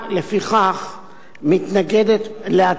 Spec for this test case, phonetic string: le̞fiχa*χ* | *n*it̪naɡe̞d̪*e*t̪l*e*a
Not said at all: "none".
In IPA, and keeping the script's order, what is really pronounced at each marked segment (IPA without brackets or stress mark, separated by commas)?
χ, m, e, e